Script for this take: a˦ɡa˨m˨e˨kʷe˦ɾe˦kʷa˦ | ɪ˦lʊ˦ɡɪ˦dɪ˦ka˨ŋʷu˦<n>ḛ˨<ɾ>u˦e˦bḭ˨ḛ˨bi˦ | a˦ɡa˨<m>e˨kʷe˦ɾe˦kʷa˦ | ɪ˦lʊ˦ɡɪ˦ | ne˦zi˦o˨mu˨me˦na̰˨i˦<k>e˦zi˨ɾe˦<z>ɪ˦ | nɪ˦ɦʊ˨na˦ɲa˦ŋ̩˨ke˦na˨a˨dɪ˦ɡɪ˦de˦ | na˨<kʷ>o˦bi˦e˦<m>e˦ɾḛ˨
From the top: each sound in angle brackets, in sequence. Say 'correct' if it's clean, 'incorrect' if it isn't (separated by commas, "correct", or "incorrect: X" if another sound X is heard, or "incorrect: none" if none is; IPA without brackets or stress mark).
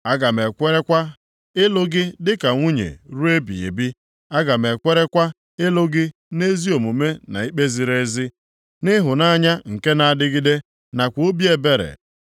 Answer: incorrect: ɲ, correct, correct, incorrect: k͡p, correct, correct, incorrect: b